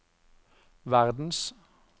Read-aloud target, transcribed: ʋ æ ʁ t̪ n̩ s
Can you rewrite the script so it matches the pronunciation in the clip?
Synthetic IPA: ʋ æ ʁ d̪ n̩ s